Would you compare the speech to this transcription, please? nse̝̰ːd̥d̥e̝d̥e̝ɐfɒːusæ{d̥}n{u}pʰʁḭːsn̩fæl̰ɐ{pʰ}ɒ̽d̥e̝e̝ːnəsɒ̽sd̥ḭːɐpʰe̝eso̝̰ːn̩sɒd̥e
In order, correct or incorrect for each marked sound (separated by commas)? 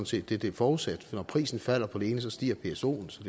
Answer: correct, incorrect, correct